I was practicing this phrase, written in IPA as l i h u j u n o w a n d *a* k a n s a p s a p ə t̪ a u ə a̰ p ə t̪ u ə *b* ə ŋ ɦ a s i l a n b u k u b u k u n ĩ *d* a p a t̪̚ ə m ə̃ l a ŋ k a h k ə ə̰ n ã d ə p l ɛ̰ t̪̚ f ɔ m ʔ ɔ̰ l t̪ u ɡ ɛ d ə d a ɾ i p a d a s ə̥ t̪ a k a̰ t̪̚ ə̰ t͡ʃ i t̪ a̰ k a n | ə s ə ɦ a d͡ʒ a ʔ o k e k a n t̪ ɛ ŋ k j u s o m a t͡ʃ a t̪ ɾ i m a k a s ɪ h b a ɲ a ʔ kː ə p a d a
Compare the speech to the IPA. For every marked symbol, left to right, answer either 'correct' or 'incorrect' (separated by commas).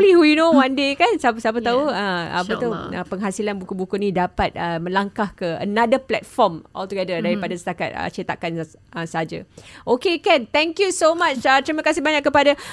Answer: incorrect, incorrect, correct